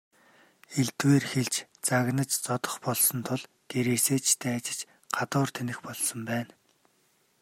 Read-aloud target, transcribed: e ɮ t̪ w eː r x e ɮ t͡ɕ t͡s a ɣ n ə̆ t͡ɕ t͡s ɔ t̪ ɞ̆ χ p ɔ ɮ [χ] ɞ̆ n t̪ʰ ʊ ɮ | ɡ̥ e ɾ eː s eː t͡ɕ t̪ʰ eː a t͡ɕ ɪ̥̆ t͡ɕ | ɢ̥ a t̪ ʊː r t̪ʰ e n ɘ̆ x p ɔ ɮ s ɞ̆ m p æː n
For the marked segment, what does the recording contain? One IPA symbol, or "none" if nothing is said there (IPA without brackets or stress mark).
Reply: s